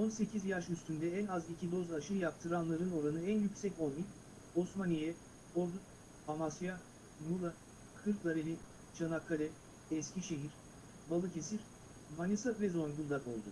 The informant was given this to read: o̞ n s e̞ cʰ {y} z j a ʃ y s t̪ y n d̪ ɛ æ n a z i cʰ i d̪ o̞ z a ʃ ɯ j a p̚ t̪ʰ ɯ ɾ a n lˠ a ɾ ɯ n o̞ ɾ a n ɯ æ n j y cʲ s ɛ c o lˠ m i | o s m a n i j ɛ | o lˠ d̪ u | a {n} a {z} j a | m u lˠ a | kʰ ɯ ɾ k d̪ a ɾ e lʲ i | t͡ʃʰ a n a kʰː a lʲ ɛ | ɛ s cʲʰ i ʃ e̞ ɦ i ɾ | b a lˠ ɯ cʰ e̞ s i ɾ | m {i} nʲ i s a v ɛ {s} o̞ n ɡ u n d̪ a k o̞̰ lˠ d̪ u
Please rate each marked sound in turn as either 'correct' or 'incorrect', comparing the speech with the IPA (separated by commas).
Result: incorrect, incorrect, incorrect, incorrect, incorrect